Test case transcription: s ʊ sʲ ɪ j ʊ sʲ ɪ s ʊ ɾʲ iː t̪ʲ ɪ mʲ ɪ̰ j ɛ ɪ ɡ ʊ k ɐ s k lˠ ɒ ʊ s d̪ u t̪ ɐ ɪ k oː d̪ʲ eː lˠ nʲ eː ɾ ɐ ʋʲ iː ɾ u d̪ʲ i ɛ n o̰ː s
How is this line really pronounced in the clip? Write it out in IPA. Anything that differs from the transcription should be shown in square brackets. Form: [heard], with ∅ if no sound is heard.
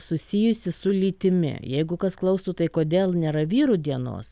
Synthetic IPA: s ʊ sʲ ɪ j ʊ sʲ ɪ s ʊ [lʲ] iː t̪ʲ ɪ mʲ ɪ̰ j ɛ ɪ ɡ ʊ k ɐ s k lˠ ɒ ʊ s [t̪] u t̪ ɐ ɪ k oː d̪ʲ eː lˠ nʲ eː ɾ ɐ ʋʲ iː ɾ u d̪ʲ i ɛ n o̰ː s